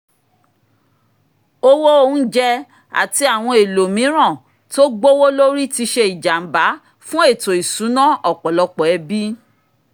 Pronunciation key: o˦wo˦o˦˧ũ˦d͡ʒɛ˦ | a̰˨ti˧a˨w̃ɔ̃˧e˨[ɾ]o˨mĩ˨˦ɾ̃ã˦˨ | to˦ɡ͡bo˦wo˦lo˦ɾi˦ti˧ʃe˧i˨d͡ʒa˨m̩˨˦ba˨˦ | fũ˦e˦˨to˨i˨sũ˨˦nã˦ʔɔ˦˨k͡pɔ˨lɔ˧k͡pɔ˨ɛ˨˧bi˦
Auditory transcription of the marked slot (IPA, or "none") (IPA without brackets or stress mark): l